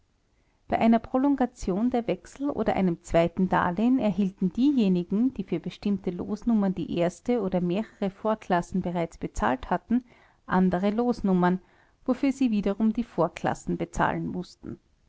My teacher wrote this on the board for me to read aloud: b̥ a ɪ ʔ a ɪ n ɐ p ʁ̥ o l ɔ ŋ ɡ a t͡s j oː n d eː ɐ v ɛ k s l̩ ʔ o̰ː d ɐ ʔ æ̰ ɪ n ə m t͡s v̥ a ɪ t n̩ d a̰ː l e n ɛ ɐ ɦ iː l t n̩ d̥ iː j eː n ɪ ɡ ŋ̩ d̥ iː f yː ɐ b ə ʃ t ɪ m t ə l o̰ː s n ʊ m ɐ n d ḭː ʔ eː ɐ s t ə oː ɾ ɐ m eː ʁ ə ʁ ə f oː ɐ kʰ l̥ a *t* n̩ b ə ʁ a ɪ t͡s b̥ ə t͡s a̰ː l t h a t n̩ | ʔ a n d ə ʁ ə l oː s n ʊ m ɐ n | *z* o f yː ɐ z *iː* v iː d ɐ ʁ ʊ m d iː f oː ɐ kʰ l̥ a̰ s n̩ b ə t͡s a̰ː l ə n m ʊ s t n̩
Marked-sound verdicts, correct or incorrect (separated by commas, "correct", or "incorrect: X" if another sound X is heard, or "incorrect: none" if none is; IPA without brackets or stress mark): incorrect: s, incorrect: v, correct